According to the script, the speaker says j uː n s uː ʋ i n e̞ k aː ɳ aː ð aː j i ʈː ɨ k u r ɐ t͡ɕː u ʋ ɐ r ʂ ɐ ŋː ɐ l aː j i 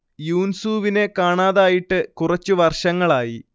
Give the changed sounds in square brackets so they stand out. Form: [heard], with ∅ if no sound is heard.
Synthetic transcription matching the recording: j uː n s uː ʋ i n e̞ k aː ɳ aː ð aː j i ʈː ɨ k u r ɐ t͡ɕː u ʋ ɐ r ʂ ɐ ŋː ɐ [ɭ] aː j i